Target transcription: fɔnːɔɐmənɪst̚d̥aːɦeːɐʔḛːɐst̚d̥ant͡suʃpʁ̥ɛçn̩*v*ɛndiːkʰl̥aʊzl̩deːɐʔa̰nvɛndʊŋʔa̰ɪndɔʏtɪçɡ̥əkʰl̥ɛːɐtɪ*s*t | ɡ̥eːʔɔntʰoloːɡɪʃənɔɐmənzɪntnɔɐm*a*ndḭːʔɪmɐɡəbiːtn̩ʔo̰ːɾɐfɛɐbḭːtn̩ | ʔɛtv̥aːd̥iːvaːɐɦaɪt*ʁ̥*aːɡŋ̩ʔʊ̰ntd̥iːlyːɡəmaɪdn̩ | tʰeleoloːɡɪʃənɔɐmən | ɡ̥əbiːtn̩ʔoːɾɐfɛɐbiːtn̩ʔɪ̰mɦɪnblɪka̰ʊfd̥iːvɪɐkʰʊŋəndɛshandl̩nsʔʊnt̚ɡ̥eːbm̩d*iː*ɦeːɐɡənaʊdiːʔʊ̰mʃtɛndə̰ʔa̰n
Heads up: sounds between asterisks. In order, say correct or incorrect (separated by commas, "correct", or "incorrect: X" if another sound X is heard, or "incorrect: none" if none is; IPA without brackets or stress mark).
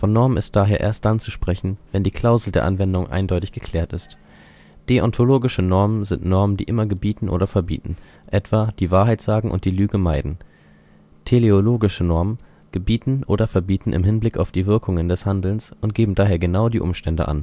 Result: correct, correct, incorrect: ə, incorrect: z̥, incorrect: aː